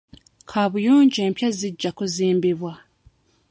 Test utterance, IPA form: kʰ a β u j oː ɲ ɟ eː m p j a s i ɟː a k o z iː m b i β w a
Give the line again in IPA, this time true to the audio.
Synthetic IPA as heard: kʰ a β u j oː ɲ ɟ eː m p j a z i ɟː a k o z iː m b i β w a